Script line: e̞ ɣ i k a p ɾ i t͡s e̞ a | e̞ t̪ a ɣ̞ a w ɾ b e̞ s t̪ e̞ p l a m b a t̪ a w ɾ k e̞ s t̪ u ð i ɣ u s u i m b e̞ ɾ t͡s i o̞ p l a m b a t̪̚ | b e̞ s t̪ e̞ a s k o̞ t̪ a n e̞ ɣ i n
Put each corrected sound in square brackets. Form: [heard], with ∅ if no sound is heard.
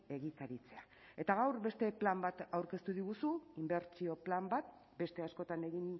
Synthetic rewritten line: e̞ ɣ i k a [∅] ɾ i t͡s e̞ a | e̞ t̪ a ɣ̞ a w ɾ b e̞ s t̪ e̞ p l a m b a t̪ a w ɾ k e̞ s t̪ u ð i ɣ u s u i m b e̞ ɾ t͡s i o̞ p l a m b a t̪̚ | b e̞ s t̪ e̞ a s k o̞ t̪ a n e̞ ɣ i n